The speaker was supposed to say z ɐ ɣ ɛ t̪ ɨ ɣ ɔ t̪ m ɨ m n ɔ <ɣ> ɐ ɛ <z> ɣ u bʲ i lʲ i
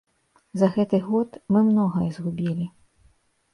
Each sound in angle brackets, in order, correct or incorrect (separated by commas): correct, correct